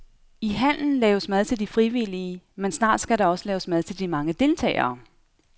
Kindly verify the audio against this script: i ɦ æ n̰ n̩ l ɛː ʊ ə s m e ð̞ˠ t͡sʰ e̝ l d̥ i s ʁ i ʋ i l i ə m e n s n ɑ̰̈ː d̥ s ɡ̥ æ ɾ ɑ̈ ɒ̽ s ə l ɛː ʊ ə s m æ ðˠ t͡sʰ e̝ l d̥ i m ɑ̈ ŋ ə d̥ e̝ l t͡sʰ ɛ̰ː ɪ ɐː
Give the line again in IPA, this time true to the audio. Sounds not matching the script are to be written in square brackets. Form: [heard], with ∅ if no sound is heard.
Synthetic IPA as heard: i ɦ æ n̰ n̩ l ɛː ʊ ə s m [æ] ð̞ˠ t͡sʰ e̝ l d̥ i [f] ʁ i ʋ i l i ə m e n s n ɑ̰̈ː d̥ s ɡ̥ æ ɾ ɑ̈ ɒ̽ s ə l ɛː ʊ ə s m æ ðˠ t͡sʰ e̝ l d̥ i m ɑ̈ ŋ ə d̥ e̝ l t͡sʰ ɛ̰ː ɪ ɐː

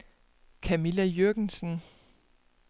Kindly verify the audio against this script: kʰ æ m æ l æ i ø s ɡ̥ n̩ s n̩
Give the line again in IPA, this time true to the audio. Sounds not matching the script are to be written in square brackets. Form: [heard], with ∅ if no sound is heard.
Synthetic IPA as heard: kʰ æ m [i] l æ [j] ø [∅] ɡ̥ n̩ s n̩

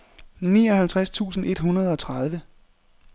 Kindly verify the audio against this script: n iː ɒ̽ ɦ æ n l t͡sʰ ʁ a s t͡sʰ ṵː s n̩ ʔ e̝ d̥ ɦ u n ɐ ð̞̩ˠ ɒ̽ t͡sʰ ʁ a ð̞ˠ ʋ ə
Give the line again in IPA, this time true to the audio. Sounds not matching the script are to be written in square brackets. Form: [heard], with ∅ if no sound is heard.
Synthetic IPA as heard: n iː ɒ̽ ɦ æ [∅] l t͡sʰ ʁ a s t͡sʰ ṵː s n̩ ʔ e̝ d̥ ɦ u n ɐ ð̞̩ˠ ɒ̽ t͡sʰ ʁ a ð̞ˠ ʋ ə

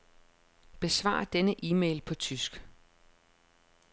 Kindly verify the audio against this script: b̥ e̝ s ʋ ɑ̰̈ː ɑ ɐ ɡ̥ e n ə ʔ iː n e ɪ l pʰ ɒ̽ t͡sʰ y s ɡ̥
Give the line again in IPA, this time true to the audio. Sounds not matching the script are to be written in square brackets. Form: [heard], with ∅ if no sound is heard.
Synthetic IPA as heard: b̥ e̝ s ʋ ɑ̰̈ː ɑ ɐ [d̥] e n ə ʔ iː [m] e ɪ l pʰ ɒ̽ t͡sʰ y s ɡ̥

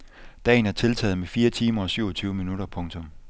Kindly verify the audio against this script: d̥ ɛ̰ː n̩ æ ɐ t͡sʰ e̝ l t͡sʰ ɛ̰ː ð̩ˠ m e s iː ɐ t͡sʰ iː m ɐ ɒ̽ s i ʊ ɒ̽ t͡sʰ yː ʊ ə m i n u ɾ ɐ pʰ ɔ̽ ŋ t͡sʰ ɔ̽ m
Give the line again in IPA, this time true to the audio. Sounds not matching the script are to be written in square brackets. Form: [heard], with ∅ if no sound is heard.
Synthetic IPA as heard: d̥ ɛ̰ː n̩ æ ɐ t͡sʰ e̝ l t͡sʰ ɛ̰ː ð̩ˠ m e [f] iː ɐ t͡sʰ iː m ɐ ɒ̽ s [y] ʊ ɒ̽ t͡sʰ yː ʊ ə m i n u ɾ ɐ pʰ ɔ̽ ŋ t͡sʰ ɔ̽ m

